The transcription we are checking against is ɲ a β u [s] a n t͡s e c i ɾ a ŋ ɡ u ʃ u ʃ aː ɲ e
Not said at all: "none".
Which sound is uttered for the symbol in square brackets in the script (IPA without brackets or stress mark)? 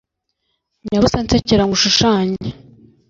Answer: s